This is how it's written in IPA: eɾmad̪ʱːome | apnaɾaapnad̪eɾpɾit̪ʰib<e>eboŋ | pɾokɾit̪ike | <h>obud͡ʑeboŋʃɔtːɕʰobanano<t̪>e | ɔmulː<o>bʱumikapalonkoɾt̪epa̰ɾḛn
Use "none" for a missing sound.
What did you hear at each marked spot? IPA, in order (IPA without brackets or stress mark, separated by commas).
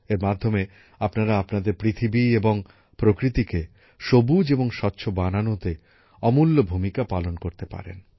i, ʃ, t̪, o